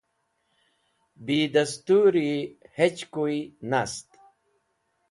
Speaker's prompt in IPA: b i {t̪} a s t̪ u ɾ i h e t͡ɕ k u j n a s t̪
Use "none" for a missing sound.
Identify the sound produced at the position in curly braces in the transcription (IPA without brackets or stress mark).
d̪